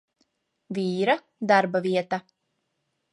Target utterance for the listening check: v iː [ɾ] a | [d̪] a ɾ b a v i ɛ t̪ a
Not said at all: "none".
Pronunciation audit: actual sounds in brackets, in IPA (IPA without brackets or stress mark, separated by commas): ɾ, d̪